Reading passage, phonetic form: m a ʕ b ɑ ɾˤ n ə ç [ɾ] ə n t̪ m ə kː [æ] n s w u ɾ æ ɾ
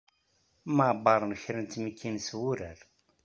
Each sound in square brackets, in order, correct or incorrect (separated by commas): correct, incorrect